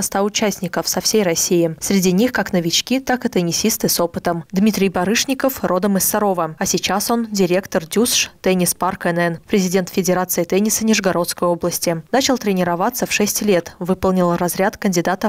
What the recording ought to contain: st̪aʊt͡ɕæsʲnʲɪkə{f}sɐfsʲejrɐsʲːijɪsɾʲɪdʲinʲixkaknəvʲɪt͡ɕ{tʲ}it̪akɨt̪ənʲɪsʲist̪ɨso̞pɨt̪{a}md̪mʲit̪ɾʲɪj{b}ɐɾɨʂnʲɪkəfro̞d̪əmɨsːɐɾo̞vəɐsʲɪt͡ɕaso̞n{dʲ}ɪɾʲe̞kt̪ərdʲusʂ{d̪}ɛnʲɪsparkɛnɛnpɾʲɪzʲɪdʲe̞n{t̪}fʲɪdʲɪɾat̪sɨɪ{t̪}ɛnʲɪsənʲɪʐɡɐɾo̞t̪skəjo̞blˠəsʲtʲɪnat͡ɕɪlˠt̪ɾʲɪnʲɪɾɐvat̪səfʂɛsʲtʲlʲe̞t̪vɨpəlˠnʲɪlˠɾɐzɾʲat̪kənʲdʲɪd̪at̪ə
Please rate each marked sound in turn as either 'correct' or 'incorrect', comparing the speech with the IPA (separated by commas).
correct, incorrect, incorrect, correct, correct, incorrect, correct, correct